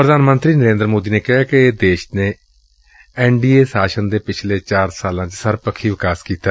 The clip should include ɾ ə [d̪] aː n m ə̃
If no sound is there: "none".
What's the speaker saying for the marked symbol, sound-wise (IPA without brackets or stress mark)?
d̪